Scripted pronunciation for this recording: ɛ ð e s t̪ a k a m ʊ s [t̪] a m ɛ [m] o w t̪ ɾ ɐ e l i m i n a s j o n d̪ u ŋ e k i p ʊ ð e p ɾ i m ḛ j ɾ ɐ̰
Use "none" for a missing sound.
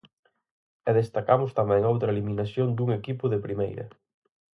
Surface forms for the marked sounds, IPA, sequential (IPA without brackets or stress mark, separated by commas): t̪, ŋ